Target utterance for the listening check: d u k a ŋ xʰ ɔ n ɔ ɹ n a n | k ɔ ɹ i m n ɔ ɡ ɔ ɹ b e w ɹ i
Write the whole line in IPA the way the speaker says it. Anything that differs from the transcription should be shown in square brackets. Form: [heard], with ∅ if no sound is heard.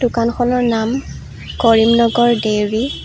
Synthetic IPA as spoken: d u k a [n] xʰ ɔ n ɔ ɹ n a [m] | k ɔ ɹ i m n ɔ ɡ ɔ ɹ [d] e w ɹ i